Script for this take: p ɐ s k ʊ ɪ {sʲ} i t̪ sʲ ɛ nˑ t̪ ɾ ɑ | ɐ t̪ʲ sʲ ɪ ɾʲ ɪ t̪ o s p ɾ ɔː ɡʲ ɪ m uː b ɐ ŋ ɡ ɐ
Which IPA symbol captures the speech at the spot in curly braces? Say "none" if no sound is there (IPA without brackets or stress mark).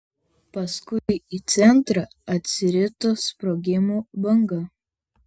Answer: none